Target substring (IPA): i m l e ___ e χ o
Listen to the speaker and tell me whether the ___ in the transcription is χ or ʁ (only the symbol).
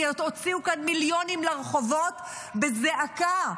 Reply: ʁ